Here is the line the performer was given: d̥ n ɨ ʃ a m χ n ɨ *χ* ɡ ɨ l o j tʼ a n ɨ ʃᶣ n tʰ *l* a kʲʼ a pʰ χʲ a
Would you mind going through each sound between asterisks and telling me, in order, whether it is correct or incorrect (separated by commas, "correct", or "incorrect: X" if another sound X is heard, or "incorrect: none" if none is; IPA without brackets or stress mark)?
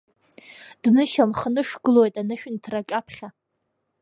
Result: incorrect: ʂ, incorrect: r